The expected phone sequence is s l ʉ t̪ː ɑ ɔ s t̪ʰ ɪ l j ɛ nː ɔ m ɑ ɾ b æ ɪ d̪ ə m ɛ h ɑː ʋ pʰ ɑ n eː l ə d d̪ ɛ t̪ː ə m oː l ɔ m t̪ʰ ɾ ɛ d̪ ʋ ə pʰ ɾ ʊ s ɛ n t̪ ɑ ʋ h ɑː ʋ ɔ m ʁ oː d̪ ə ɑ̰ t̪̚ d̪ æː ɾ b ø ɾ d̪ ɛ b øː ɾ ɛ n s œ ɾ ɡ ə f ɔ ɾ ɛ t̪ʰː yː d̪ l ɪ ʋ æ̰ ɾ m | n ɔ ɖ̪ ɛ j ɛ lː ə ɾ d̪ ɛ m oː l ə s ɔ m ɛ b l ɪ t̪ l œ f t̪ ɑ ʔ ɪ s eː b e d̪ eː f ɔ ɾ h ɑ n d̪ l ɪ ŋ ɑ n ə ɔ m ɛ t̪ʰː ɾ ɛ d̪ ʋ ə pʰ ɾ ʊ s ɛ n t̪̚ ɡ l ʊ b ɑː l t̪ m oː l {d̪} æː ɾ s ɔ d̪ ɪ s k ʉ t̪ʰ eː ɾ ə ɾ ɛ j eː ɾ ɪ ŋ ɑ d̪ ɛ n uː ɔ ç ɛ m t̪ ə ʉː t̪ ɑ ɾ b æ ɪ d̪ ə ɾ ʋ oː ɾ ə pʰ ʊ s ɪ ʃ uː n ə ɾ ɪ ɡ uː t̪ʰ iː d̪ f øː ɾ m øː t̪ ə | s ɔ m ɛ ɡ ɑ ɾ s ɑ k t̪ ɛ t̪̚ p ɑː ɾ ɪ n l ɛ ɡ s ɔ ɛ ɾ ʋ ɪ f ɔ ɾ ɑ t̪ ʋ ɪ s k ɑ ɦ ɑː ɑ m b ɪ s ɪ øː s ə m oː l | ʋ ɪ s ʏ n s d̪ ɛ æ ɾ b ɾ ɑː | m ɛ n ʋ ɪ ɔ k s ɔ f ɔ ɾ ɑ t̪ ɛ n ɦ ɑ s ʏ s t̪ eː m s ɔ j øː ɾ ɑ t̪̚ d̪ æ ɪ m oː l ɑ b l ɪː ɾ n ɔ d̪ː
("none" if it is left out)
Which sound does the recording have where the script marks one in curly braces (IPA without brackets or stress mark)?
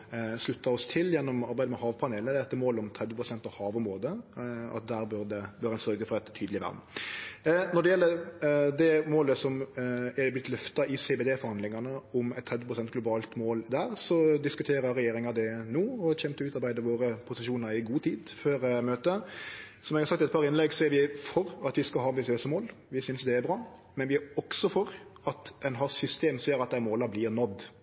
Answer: d̪